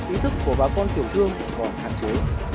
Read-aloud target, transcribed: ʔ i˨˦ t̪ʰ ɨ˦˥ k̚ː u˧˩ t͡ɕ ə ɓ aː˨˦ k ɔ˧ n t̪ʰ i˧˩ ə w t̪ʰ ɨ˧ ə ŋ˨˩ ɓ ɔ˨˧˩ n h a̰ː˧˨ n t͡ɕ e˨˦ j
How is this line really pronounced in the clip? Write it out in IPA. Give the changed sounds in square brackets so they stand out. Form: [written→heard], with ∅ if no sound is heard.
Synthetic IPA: ʔ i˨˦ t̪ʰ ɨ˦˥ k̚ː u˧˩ [t͡ɕ→∅] ə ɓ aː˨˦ k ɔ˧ n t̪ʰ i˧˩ ə w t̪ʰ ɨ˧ ə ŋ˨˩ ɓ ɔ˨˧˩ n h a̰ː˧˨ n t͡ɕ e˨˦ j